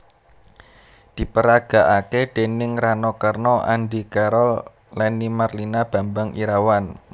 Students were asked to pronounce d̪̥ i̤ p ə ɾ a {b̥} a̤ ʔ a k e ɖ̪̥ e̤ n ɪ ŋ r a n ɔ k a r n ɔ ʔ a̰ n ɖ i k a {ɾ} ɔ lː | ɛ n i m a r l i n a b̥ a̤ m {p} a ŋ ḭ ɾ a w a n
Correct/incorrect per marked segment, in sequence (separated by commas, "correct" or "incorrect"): incorrect, correct, incorrect